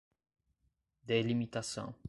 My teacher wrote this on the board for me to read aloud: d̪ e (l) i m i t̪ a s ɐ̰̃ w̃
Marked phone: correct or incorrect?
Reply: correct